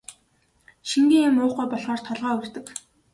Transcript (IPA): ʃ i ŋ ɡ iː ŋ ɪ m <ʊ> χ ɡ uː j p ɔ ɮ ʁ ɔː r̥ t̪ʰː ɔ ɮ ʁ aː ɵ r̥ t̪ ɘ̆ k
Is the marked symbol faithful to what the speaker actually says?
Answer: no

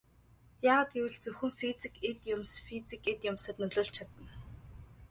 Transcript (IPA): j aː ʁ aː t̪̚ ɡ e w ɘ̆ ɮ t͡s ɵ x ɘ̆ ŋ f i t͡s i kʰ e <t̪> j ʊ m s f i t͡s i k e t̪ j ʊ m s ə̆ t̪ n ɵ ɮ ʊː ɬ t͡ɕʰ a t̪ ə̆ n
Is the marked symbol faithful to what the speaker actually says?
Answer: yes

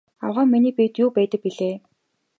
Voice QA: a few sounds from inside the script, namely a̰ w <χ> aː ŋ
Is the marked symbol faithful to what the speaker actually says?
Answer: no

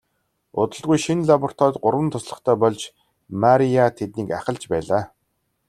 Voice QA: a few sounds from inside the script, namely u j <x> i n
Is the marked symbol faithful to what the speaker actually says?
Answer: no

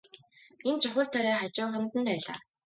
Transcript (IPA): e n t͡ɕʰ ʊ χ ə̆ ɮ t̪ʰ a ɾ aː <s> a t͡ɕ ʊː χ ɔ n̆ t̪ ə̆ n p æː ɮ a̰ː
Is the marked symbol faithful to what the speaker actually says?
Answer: no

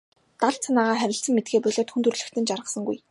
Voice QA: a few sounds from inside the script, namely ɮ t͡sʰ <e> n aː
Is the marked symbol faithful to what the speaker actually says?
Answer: no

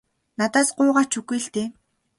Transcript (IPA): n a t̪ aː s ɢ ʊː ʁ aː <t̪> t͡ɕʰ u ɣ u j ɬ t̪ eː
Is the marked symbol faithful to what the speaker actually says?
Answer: no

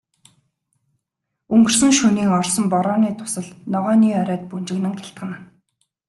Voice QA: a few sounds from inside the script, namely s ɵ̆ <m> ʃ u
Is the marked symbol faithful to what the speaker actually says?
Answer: no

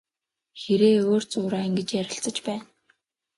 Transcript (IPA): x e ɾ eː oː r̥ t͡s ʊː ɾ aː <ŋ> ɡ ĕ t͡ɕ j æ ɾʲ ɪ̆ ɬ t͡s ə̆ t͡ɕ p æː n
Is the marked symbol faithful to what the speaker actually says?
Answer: yes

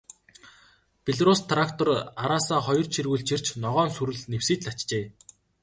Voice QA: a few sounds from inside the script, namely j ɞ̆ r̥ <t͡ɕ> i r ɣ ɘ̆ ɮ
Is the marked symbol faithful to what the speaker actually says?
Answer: no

